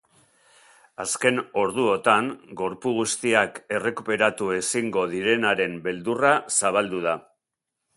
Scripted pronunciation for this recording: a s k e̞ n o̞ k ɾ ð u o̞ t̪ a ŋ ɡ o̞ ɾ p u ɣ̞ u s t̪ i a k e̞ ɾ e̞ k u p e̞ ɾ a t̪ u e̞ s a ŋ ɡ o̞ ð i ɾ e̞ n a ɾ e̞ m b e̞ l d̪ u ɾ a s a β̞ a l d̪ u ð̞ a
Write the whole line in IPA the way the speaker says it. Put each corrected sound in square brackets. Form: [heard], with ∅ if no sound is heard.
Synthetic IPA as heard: a s k e̞ n o̞ [∅] ɾ ð u o̞ t̪ a ŋ ɡ o̞ ɾ p u ɣ̞ u s t̪ i a k e̞ [r] e̞ k u p e̞ ɾ a t̪ u e̞ s [i] ŋ ɡ o̞ ð i ɾ e̞ n a ɾ e̞ m b e̞ l d̪ u [r] a s a β̞ a l d̪ u ð̞ a

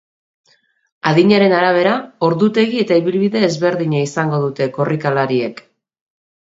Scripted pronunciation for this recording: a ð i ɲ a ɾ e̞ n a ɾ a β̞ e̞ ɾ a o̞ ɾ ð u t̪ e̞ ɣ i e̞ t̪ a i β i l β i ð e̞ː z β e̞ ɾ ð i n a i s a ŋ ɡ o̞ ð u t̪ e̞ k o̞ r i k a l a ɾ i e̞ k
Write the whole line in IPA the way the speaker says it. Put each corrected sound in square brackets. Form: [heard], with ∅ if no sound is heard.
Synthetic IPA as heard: a ð i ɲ a ɾ e̞ n a ɾ a β̞ e̞ ɾ a o̞ ɾ ð u t̪ e̞ ɣ i e̞ t̪ a i β i l β i ð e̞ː z β e̞ ɾ ð i [ɲ] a i s a ŋ ɡ o̞ ð u t̪ e̞ k o̞ r i k a l a ɾ i e̞ k

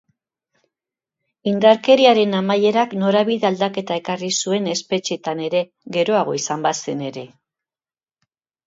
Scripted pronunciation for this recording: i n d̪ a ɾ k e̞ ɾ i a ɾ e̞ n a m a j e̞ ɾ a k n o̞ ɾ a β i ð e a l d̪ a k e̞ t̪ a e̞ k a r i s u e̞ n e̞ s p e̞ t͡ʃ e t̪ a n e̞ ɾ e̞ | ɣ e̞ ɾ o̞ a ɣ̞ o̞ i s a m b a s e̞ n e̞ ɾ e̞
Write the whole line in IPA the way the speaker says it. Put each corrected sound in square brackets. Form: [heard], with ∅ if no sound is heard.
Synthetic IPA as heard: i n d̪ a ɾ k e̞ ɾ i a ɾ e̞ n a m a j e̞ ɾ a k n o̞ ɾ a β i ð e a l d̪ a k e̞ t̪ a e̞ k a r i s u e̞ n e̞ s p e̞ t͡ʃ e t̪ a n e̞ ɾ e̞ | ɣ e̞ ɾ o̞ a ɣ̞ o̞ i s a m b a s e̞ n e̞ ɾ e̞

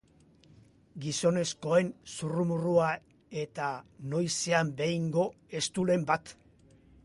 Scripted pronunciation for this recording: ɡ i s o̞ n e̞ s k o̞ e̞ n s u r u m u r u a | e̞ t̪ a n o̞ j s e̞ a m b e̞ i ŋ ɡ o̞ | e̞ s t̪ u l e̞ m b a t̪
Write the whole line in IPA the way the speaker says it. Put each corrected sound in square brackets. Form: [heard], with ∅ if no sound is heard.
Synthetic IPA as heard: ɡ i s o̞ n e̞ s k o̞ e̞ n s u r u m u r u a | e̞ t̪ a n o̞ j s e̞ a m b e̞ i ŋ ɡ o̞ | e̞ s t̪ u l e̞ m b a t̪

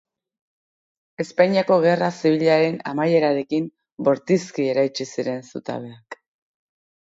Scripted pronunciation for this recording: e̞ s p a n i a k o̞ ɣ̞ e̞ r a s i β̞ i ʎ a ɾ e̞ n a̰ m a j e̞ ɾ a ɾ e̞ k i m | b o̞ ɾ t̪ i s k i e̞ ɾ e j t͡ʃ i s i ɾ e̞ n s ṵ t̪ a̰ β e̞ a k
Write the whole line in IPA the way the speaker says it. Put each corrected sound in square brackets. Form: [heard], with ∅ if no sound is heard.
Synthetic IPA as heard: e̞ s p a [ɲ] i a k o̞ ɣ̞ e̞ r a s i β̞ i ʎ a ɾ e̞ n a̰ m a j e̞ ɾ a ɾ e̞ k i m | b o̞ ɾ t̪ i s k i e̞ ɾ [a] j t͡ʃ i s i ɾ e̞ n s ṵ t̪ a̰ β e̞ a k

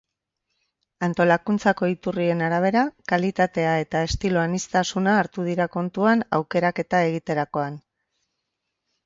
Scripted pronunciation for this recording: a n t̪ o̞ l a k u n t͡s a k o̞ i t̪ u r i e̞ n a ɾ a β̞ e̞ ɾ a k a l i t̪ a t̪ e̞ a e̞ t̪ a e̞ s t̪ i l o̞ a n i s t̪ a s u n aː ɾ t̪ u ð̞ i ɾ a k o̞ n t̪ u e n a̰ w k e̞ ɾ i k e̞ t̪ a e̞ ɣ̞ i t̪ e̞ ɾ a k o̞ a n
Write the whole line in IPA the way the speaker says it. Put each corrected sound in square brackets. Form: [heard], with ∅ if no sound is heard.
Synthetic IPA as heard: a n t̪ o̞ l a k u n t͡s a k o̞ i t̪ u r i e̞ n a ɾ a β̞ e̞ ɾ a k a l i t̪ a t̪ e̞ a e̞ t̪ a e̞ s t̪ i l o̞ a n i s t̪ a s u n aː ɾ t̪ u ð̞ i ɾ a k o̞ n t̪ u [a] n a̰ w k e̞ ɾ [a] k e̞ t̪ a e̞ ɣ̞ i t̪ e̞ ɾ a k o̞ a n

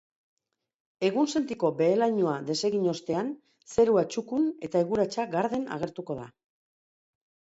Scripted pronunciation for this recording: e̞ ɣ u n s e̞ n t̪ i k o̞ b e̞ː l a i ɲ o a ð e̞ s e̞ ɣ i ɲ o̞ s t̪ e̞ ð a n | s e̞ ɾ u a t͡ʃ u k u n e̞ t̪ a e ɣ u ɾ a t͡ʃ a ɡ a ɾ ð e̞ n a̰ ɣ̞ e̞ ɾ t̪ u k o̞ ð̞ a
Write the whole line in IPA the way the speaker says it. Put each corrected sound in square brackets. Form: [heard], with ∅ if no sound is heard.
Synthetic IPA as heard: e̞ ɣ u n s e̞ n t̪ i k o̞ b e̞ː l a [j] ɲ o a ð e̞ s e̞ ɣ i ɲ o̞ s t̪ e̞ [∅] a n | s e̞ ɾ u a t͡ʃ u k u n e̞ t̪ a e ɣ u ɾ a t͡ʃ a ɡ a ɾ ð e̞ n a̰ ɣ̞ e̞ ɾ t̪ u k o̞ ð̞ a

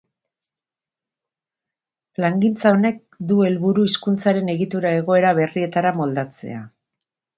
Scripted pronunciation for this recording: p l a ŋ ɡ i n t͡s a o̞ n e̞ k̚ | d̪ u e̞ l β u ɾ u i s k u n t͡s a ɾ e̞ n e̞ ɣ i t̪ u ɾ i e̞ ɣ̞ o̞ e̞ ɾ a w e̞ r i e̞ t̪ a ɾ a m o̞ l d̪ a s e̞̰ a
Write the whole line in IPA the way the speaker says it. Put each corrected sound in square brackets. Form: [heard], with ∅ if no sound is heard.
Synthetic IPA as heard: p l a ŋ ɡ i n t͡s a o̞ n e̞ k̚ | d̪ u e̞ l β u ɾ u i s k u n t͡s a ɾ e̞ n e̞ ɣ i t̪ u ɾ [a] e̞ ɣ̞ o̞ e̞ ɾ a [β] e̞ r i e̞ t̪ a ɾ a m o̞ l d̪ a [t͡s] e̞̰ a

